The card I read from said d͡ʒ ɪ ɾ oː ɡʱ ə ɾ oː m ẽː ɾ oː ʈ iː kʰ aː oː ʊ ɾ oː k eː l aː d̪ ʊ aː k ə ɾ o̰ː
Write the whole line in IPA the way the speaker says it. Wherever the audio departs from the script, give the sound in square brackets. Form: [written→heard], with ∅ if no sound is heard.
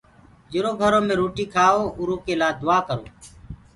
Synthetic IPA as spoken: d͡ʒ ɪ ɾ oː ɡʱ ə ɾ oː m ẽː ɾ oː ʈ iː kʰ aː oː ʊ ɾ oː k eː l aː d̪ ʊ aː k ə ɾ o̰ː

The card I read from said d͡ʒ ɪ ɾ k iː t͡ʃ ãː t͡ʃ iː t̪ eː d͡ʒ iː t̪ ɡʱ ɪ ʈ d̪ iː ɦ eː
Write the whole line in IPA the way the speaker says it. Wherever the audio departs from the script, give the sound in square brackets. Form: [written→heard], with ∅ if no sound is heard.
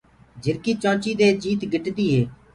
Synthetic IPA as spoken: d͡ʒ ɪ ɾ k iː t͡ʃ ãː t͡ʃ iː [t̪→d̪] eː d͡ʒ iː t̪ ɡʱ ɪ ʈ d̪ iː ɦ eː

